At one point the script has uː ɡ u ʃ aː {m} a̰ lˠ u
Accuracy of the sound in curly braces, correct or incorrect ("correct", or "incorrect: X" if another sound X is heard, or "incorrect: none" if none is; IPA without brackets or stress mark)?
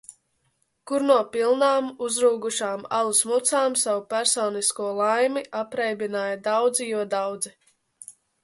correct